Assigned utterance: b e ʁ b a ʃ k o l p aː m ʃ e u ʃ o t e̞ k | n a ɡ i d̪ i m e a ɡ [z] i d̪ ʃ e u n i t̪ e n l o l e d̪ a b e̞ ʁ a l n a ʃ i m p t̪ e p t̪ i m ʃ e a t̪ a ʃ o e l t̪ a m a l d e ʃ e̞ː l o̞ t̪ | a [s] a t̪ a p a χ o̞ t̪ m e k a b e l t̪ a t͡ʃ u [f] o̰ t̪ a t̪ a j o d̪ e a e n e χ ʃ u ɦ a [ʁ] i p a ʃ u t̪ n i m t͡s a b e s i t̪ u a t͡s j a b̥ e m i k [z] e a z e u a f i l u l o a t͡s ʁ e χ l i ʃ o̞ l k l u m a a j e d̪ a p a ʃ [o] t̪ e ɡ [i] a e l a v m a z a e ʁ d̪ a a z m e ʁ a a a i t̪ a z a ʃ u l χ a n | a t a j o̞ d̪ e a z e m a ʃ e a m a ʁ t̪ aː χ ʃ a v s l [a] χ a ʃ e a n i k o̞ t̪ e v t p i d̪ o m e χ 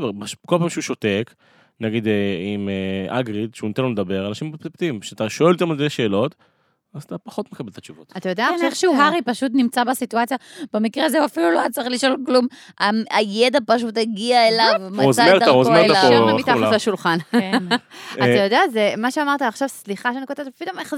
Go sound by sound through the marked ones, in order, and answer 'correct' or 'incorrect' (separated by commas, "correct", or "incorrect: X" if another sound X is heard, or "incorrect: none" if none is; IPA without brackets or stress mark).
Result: incorrect: ʁ, incorrect: z, incorrect: v, correct, incorrect: ʁ, incorrect: u, correct, incorrect: i